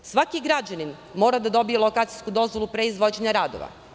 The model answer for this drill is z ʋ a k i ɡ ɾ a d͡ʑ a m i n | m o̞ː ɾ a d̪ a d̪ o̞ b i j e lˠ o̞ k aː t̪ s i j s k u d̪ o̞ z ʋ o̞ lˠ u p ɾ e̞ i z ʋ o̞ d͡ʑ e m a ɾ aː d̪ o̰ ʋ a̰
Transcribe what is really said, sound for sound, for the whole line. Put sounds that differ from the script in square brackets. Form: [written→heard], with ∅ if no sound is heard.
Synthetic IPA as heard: [z→s] ʋ a k i ɡ ɾ a d͡ʑ a [m→n] i n | m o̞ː ɾ a d̪ a d̪ o̞ b i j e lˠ o̞ k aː t̪ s i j s k u d̪ o̞ z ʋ o̞ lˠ u p ɾ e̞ i z ʋ o̞ d͡ʑ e [m→ɲ] a ɾ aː d̪ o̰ ʋ a̰